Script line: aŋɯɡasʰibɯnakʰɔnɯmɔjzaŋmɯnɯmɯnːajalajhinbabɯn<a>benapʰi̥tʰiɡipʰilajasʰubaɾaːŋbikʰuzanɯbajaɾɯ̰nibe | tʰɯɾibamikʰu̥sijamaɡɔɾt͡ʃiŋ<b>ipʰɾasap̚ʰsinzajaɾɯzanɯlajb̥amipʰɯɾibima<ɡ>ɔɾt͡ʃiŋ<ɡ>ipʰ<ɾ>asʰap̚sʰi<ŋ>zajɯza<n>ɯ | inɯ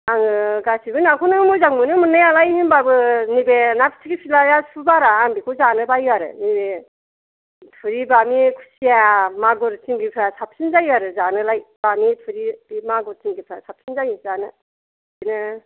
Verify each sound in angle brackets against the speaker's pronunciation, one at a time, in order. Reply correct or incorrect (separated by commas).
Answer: incorrect, incorrect, correct, correct, correct, incorrect, correct